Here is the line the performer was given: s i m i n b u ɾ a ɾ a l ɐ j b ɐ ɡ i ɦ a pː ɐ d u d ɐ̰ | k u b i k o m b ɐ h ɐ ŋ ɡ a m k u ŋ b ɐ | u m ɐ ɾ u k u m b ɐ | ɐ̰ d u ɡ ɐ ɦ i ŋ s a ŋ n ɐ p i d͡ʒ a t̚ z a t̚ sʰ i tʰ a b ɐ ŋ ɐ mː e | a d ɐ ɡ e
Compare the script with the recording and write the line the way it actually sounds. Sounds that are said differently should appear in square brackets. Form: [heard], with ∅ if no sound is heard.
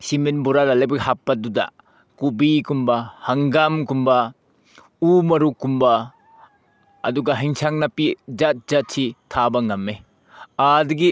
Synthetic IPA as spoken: s i m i n b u ɾ a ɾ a l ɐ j b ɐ ɡ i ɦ a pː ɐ d u d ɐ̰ | k u b i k [u] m b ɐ h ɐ ŋ ɡ a m k u [m] b ɐ | u m ɐ ɾ u k u m b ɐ | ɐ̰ d u ɡ ɐ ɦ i ŋ s a ŋ n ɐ p i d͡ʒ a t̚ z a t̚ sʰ i tʰ a b ɐ ŋ ɐ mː e | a d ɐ ɡ [i]